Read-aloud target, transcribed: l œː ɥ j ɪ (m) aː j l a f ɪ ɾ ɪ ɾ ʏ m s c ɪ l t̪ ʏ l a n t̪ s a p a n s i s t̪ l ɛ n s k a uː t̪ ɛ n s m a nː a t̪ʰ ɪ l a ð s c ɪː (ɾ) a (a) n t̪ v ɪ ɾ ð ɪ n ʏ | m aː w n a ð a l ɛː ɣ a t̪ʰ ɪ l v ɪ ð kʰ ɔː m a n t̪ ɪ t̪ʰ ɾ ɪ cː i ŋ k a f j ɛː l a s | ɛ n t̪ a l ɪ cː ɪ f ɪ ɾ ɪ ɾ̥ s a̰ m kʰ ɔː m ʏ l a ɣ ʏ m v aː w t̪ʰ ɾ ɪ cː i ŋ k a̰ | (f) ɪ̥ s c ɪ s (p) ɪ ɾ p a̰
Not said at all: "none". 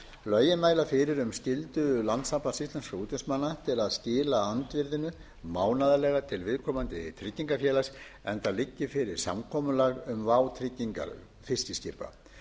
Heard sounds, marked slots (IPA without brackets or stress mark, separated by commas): m, l, a, f, c